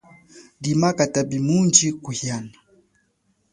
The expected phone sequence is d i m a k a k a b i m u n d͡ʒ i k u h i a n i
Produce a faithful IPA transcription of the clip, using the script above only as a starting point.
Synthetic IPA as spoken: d i m a k a t a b i m u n d͡ʒ i k u h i a n a